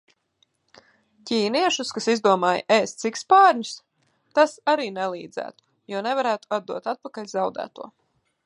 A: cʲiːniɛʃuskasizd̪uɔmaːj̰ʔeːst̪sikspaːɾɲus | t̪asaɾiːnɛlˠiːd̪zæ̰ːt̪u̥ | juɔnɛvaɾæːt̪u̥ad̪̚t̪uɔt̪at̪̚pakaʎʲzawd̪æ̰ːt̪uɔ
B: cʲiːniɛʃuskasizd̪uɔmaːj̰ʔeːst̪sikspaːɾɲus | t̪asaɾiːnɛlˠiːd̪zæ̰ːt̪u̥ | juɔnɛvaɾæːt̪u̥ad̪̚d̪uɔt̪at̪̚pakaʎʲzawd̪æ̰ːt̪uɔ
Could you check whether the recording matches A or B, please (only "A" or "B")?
B